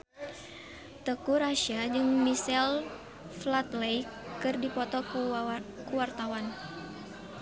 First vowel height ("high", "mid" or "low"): mid